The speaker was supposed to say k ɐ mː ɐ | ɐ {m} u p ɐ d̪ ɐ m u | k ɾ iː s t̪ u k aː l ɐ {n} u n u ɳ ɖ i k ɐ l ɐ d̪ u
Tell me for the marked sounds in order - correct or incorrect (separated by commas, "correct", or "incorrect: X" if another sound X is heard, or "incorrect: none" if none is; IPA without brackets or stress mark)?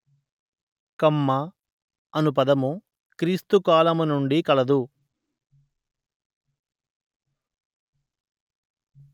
incorrect: n, incorrect: m